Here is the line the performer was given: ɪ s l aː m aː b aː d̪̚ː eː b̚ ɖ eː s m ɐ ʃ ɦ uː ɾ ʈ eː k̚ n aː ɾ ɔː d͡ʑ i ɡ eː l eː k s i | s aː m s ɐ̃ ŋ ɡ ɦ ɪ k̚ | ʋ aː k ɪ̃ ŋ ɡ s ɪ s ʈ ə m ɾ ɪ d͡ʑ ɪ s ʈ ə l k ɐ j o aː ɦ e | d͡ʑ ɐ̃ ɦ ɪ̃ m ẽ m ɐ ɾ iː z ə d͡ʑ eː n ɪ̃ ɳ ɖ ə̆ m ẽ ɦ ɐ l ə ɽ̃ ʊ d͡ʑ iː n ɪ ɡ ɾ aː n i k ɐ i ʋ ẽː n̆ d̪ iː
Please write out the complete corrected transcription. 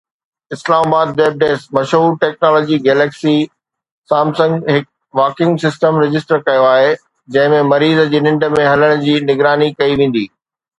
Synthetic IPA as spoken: ɪ s l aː m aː b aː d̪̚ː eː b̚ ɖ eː s m ɐ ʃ ɦ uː ɾ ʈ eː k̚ n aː l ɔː d͡ʑ i ɡ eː l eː k s i | s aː m s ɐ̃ ŋ ɡ ɦ ɪ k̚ | ʋ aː k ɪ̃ ŋ ɡ s ɪ s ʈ ə m ɾ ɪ d͡ʑ ɪ s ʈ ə ɾ k ɐ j o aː ɦ e | d͡ʑ ɐ̃ ɦ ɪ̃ m ẽ m ɐ ɾ iː z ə d͡ʑ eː n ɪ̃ ɳ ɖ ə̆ m ẽ ɦ ɐ l ə ɽ̃ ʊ d͡ʑ iː n ɪ ɡ ɾ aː n i k ɐ i ʋ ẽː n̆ d̪ iː